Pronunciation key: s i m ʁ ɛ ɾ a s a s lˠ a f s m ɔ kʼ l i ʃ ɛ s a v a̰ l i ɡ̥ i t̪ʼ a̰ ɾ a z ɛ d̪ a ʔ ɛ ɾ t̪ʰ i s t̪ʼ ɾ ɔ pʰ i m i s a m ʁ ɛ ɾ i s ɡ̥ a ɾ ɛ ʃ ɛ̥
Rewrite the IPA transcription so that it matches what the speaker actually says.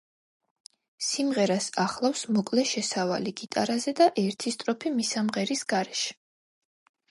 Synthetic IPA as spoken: s i m ʁ ɛ ɾ a s a χ lˠ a f s m ɔ kʼ l ɛ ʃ ɛ s a v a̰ l i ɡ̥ i t̪ʼ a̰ ɾ a z ɛ d̪ a ʔ ɛ ɾ t̪ʰ i s t̪ʼ ɾ ɔ pʰ i m i s a m ʁ ɛ ɾ i s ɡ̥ a ɾ ɛ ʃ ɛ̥

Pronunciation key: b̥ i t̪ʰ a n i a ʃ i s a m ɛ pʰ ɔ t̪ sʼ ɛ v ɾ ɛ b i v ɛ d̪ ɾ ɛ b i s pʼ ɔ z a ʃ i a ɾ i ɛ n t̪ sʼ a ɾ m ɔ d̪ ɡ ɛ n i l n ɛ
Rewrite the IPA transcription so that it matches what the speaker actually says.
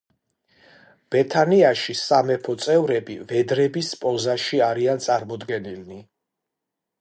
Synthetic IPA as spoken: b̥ ɛ t̪ʰ a n i a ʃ i s a m ɛ pʰ ɔ t̪ sʼ ɛ v ɾ ɛ b i v ɛ d̪ ɾ ɛ b i s pʼ ɔ z a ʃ i a ɾ i a n t̪ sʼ a ɾ m ɔ d̪ ɡ ɛ n i l n i

